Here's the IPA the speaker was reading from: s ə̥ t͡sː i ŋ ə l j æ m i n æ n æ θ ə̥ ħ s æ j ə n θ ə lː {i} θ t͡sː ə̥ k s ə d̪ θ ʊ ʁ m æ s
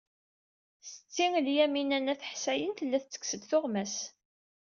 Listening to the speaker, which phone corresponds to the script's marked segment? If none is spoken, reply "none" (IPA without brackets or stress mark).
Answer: æ